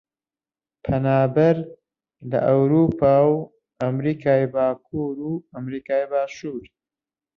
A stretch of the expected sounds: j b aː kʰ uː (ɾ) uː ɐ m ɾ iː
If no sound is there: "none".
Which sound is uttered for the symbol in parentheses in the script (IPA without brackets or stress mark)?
ɾ